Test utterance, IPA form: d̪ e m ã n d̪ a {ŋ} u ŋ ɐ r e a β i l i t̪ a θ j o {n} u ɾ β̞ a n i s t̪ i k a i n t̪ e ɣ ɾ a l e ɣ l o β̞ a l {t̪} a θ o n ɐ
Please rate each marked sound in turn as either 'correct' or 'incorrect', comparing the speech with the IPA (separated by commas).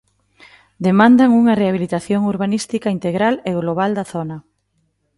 correct, incorrect, incorrect